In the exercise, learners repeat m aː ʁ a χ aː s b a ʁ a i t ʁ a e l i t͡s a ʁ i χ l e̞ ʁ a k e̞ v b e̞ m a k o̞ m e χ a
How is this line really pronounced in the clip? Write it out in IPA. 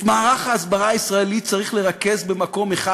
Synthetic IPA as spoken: m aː ʁ a χ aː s b a ʁ a i s ʁ a e l i t͡s a ʁ i χ l e̞ ʁ a k e̞ z b e̞ m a k o̞ m e χ a